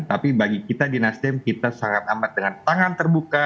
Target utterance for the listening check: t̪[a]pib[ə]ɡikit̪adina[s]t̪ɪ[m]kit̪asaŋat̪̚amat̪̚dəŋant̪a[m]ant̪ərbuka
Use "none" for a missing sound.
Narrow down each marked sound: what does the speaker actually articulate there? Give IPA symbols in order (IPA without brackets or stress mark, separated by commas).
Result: a, a, s, m, ŋ